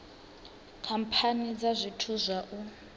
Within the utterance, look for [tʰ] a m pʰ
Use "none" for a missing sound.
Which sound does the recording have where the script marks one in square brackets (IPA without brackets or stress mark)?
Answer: kʰ